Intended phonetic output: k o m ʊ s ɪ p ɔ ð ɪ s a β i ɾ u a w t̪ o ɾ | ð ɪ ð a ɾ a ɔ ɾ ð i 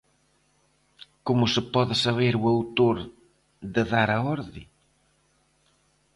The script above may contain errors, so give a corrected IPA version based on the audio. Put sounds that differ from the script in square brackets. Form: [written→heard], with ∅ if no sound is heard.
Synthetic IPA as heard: k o m ʊ s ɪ p ɔ ð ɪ s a β [i→e] ɾ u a w t̪ o ɾ | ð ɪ ð a ɾ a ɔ ɾ ð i